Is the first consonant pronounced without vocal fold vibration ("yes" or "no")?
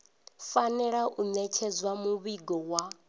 yes